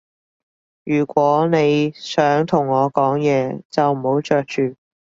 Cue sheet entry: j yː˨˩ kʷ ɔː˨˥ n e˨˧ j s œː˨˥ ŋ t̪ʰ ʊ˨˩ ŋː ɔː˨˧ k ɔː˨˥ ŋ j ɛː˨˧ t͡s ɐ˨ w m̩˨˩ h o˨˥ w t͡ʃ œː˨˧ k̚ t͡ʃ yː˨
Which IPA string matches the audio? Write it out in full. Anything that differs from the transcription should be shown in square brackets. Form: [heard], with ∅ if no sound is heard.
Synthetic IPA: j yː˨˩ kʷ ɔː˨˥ n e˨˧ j s œː˨˥ ŋ t̪ʰ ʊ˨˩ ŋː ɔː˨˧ k ɔː˨˥ ŋ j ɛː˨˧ t͡s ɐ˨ w m̩˨˩ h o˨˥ w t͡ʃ œː˨˧ k̚ t͡ʃ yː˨